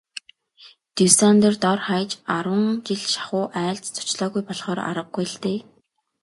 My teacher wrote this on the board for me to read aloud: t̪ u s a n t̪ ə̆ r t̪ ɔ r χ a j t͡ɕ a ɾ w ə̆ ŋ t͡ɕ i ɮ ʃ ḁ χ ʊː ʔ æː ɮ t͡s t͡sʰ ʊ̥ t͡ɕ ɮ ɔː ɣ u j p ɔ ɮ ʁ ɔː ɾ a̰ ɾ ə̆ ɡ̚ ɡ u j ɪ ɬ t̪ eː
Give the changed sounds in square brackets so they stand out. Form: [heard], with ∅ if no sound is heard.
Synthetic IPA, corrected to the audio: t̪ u s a n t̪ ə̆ r t̪ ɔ r χ a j t͡ɕ a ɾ w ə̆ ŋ t͡ɕ i ɮ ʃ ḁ χ ʊː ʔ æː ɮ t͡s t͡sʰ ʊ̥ t͡ɕ ɮ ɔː ɣ u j p ɔ ɮ [χ] ɔː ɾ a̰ ɾ ə̆ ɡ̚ ɡ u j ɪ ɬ t̪ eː